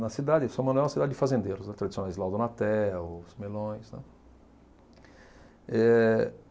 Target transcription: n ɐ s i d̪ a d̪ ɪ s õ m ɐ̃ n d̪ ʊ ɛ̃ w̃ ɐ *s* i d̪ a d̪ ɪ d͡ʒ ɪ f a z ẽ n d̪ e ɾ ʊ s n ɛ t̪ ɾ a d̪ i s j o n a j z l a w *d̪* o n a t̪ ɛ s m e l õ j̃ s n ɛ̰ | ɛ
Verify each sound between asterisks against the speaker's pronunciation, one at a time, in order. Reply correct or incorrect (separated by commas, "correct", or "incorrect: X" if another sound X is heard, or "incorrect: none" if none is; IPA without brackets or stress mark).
correct, correct